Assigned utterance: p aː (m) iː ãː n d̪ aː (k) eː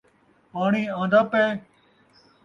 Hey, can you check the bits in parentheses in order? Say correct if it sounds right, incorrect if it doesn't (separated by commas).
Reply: incorrect, incorrect